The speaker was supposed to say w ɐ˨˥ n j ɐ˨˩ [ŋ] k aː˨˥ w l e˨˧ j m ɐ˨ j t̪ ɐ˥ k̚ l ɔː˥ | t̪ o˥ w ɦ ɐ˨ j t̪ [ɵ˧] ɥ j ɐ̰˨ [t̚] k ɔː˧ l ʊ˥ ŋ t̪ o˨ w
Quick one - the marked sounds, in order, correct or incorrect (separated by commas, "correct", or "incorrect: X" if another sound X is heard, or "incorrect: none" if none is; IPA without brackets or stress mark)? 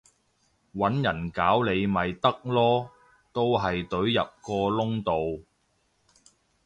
incorrect: n, incorrect: ɵ˨˥, incorrect: p̚